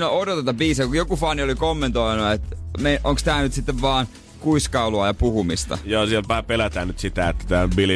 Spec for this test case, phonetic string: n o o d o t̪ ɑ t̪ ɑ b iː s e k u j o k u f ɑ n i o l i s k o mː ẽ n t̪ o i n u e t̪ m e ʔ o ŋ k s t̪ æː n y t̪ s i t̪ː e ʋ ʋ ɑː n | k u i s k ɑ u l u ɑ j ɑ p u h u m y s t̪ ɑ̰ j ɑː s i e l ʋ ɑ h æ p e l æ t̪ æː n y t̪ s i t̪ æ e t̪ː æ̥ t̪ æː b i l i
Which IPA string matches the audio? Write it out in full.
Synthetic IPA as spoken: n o o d o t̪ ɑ t̪ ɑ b iː s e k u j o k u f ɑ n i o l i k o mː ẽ n t̪ o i n u e t̪ m e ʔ o ŋ k s t̪ æː n y t̪ s i t̪ː e ʋ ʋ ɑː n | k u i s k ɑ u l u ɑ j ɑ p u h u m i s t̪ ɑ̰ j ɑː s i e l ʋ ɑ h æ p e l æ t̪ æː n y t̪ s i t̪ æ e t̪ː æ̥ t̪ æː b i l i